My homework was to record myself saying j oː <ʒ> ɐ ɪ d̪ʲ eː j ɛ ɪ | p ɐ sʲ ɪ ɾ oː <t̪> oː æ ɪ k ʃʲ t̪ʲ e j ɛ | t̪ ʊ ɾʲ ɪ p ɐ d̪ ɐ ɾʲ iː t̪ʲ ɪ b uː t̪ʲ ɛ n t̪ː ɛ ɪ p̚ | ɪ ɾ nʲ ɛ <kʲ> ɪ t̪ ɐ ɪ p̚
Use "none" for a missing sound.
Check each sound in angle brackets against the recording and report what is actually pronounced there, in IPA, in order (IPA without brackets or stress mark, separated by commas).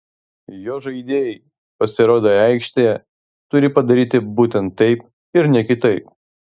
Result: ʒ, d̪, kʲ